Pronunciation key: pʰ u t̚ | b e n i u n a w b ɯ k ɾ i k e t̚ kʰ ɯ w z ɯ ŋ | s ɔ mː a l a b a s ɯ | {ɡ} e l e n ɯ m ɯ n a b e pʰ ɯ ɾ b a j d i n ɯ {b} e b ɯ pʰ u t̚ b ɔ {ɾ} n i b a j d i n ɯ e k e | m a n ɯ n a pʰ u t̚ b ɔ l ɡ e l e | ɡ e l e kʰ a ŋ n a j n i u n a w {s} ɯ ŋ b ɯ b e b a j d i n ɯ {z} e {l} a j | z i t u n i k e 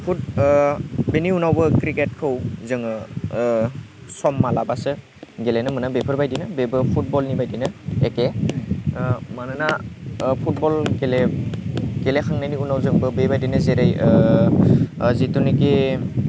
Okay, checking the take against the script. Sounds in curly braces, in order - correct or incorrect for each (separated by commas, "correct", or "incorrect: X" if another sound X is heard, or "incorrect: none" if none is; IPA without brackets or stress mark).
correct, correct, incorrect: l, incorrect: z, correct, incorrect: ɾ